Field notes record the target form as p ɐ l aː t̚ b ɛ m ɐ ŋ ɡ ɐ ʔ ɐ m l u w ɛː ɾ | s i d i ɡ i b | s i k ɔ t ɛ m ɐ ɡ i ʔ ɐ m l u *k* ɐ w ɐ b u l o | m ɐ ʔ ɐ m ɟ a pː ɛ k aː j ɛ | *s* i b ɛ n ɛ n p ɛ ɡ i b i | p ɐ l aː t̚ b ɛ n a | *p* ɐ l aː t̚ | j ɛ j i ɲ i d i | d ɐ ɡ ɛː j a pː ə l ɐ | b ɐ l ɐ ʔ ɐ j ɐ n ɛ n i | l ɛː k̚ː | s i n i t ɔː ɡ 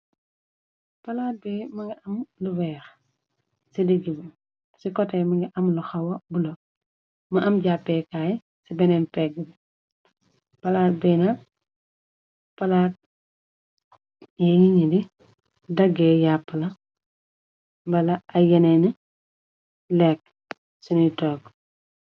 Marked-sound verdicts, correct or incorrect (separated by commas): incorrect, correct, correct